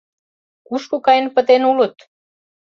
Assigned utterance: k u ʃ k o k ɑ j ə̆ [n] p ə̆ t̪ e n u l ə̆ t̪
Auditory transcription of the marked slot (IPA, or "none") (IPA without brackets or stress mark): n